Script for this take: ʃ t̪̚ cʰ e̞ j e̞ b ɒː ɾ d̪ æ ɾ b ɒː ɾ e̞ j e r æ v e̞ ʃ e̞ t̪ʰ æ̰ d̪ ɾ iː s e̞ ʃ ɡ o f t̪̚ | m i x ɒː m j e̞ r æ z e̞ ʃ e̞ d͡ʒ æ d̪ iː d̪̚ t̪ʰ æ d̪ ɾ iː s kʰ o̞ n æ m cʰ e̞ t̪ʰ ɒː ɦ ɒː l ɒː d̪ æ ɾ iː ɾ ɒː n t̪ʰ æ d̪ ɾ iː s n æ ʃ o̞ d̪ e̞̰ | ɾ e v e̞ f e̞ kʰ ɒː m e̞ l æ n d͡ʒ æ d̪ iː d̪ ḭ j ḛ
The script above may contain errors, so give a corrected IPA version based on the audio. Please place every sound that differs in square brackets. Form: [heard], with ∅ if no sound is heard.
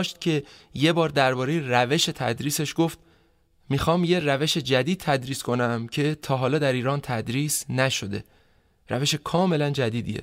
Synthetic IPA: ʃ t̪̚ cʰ e̞ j e̞ b ɒː ɾ d̪ æ ɾ b ɒː ɾ e̞ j e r æ v e̞ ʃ e̞ t̪ʰ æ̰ d̪ ɾ iː s e̞ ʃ ɡ o f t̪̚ | m i x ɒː m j e̞ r æ [v] e̞ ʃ e̞ d͡ʒ æ d̪ iː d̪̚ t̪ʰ æ d̪ ɾ iː s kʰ o̞ n æ m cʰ e̞ t̪ʰ ɒː ɦ ɒː l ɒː d̪ æ ɾ iː ɾ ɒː n t̪ʰ æ d̪ ɾ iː s n æ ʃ o̞ d̪ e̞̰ | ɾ [æ] v e̞ [ʃ] e̞ kʰ ɒː m e̞ l æ n d͡ʒ æ d̪ iː d̪ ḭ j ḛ